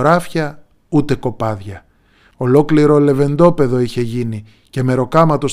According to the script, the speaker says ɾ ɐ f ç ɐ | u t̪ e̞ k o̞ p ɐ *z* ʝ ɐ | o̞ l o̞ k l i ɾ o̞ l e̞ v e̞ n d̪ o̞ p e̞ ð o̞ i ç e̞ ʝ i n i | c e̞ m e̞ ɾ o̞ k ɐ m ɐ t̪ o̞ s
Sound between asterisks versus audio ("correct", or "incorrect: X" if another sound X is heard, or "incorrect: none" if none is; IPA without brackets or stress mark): incorrect: ð